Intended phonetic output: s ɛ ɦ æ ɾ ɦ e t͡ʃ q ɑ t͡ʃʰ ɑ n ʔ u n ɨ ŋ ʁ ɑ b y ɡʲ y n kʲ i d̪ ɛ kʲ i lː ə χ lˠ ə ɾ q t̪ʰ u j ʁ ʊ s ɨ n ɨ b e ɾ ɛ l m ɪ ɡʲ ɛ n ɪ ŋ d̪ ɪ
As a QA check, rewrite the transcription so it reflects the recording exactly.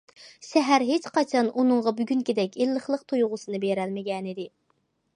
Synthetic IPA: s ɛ ɦ æ ɾ ɦ e t͡ʃ q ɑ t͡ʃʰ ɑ n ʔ u n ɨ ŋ ʁ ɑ b y ɡʲ y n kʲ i d̪ ɛ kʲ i lː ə χ lˠ ə q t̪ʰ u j ʁ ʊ s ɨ n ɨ b e ɾ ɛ l m ɪ ɡʲ ɛ n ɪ d̪ ɪ